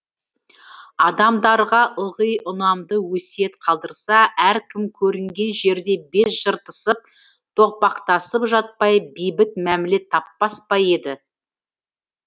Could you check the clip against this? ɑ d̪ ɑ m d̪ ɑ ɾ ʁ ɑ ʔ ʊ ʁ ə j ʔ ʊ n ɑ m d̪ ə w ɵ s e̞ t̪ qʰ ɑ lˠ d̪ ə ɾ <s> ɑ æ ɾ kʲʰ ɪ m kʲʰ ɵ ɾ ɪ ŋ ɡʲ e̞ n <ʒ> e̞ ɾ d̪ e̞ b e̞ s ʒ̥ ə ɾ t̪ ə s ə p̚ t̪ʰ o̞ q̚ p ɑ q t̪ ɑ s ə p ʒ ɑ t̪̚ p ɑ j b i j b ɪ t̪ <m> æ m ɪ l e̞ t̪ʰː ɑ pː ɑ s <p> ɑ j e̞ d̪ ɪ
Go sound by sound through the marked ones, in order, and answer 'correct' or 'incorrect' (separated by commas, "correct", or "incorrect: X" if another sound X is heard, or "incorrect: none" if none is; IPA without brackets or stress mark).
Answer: correct, correct, correct, correct